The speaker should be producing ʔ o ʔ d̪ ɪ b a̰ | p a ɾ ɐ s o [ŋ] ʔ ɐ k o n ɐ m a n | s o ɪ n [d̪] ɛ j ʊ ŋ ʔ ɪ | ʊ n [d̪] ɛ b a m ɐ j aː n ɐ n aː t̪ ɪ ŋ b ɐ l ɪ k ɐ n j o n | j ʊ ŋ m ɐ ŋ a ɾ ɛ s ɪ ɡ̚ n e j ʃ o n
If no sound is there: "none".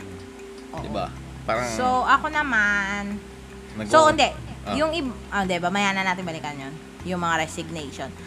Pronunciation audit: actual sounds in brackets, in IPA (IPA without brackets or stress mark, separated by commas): none, d̪, d̪